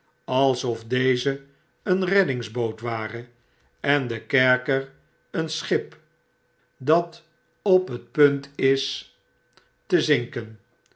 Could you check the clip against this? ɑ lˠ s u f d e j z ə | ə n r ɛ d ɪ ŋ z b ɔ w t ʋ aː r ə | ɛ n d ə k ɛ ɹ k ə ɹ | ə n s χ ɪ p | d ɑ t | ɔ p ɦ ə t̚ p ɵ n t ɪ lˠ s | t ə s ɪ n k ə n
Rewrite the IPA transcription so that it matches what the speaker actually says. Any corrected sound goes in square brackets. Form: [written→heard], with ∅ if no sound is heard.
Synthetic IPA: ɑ lˠ s [u→ɔ] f d e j z ə | ə n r ɛ d ɪ ŋ z b [ɔ→o] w t ʋ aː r ə | ɛ n d ə k ɛ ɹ k ə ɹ | ə n s χ ɪ p | d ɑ t | ɔ p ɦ ə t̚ p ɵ n t ɪ [lˠ→∅] s | t ə [s→z] ɪ [n→ŋ] k ə n